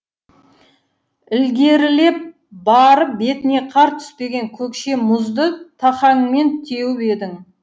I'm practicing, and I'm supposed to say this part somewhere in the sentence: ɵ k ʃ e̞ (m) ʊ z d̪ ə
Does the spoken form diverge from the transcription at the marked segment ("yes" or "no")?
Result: no